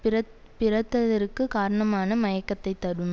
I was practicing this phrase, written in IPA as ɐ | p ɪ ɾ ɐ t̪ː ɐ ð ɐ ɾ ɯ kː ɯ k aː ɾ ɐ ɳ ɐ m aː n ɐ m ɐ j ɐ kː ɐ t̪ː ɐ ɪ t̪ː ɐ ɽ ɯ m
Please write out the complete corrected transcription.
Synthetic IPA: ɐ | p ɪ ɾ ɐ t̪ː ɐ ð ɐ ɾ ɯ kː ɯ k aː ɾ ɐ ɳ ɐ m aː n ɐ m ɐ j ɐ kː ɐ t̪ː ɐ ɪ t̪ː ɐ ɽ ɯ m